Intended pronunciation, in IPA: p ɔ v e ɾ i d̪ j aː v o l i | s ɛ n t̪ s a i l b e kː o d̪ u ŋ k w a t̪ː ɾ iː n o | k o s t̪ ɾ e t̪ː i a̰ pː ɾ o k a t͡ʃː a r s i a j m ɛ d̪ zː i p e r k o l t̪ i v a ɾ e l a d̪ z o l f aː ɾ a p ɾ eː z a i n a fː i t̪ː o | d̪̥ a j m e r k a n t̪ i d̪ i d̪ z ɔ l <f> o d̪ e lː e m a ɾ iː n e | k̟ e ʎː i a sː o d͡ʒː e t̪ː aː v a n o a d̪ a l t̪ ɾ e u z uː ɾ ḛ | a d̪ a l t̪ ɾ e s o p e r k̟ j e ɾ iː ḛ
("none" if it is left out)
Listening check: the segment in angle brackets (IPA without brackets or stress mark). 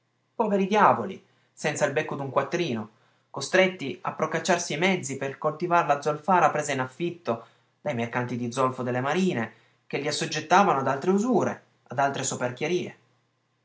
f